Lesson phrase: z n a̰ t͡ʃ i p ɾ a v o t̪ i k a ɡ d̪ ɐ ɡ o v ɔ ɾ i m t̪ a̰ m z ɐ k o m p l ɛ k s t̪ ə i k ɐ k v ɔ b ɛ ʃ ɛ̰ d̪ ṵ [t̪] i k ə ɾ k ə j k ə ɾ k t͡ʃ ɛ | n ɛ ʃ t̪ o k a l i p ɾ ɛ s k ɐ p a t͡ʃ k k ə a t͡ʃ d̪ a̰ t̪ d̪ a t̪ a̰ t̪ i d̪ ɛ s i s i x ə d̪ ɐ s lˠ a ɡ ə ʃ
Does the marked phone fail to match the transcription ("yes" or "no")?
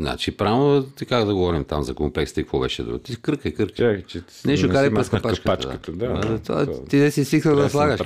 no